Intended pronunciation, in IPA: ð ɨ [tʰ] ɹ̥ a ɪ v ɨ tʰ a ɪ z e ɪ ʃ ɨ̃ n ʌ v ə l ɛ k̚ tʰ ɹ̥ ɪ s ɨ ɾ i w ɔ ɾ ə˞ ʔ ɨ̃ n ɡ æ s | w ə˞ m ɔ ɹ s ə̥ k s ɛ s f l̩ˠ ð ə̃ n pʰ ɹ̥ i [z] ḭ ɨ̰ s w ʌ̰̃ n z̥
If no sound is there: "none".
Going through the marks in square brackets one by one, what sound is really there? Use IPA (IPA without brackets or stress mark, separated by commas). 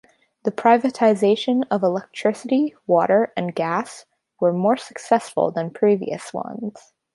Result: pʰ, v